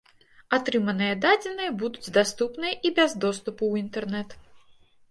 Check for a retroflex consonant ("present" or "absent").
absent